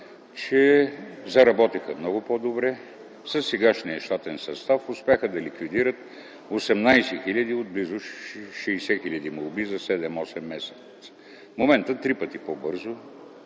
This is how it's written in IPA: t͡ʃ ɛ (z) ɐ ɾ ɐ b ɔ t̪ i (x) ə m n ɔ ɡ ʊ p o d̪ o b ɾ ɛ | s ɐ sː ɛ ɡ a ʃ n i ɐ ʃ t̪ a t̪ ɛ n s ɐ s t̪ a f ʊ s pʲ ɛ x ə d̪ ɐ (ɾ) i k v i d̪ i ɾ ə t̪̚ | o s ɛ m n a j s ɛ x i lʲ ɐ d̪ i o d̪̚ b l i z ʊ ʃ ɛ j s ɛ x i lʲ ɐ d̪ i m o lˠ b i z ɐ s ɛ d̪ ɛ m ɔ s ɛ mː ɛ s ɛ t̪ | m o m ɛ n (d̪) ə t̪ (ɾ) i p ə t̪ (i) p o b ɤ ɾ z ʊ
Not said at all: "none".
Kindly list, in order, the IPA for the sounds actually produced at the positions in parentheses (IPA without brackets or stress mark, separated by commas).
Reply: z, x, l, t̪, ɾ, i